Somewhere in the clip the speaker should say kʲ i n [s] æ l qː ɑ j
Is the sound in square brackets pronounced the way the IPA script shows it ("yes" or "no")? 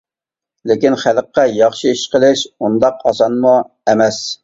no